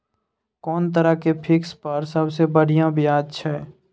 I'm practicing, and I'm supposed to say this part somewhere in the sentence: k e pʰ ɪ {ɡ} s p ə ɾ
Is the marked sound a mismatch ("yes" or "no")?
yes